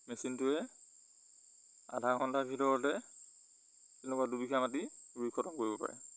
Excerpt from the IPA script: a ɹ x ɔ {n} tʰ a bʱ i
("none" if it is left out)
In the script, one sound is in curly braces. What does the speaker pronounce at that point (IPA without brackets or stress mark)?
n